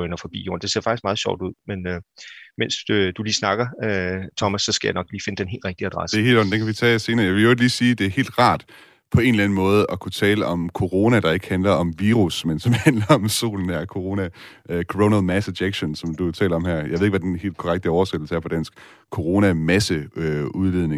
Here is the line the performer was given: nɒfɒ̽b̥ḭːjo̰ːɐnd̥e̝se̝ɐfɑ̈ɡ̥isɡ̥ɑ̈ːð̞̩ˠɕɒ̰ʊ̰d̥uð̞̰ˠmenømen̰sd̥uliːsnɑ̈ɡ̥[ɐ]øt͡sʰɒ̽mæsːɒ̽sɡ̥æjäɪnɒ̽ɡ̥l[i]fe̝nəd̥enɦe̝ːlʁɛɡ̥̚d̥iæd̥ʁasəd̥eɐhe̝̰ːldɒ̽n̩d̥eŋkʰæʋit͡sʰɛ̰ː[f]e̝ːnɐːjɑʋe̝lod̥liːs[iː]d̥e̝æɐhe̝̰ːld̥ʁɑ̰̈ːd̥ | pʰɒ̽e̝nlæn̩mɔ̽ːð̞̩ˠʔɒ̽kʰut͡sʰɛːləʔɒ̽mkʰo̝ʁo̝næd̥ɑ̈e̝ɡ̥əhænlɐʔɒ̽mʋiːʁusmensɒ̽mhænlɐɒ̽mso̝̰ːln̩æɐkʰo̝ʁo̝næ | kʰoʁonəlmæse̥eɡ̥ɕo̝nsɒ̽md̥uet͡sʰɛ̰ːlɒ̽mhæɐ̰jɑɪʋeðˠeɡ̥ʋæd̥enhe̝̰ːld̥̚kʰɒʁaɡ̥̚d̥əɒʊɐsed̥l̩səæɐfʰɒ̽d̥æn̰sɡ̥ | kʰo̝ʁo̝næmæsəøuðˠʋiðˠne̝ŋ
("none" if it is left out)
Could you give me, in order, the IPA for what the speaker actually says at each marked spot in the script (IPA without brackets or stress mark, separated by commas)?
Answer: ɐ, iː, s, iː